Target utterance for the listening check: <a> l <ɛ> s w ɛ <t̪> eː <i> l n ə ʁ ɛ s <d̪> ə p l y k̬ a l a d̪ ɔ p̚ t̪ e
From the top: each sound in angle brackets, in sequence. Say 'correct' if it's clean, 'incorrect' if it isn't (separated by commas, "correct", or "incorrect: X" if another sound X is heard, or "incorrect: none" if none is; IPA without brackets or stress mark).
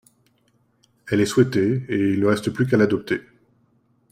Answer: incorrect: ɛ, correct, correct, correct, incorrect: t̪